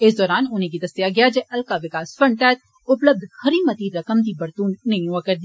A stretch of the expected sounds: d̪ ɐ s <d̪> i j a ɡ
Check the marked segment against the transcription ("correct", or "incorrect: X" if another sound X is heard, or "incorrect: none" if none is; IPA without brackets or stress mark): incorrect: t̪